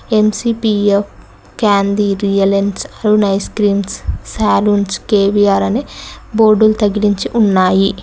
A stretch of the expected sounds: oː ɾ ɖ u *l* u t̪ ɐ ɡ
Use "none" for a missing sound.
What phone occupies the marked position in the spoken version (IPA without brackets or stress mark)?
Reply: l